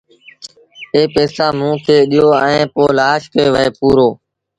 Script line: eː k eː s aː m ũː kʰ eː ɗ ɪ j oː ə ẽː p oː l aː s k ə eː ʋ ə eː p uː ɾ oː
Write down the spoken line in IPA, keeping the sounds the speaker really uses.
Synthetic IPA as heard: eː p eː s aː m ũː kʰ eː ɗ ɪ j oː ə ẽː p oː l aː ʃ k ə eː ʋ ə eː p uː ɾ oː